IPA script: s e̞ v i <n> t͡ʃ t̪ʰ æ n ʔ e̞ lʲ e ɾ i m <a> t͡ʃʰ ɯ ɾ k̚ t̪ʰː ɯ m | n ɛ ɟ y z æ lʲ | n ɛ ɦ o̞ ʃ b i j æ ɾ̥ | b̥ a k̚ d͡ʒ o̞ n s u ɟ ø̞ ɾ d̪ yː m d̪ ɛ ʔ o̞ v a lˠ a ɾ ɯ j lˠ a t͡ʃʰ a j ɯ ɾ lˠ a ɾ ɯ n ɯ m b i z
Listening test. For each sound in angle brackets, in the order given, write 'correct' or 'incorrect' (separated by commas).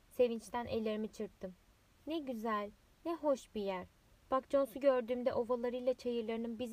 correct, incorrect